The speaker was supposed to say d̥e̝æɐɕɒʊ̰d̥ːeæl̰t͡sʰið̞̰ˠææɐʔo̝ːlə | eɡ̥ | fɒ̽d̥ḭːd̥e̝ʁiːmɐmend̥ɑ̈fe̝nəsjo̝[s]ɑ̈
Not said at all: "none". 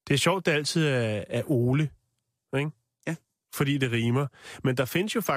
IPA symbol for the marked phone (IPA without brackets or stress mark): f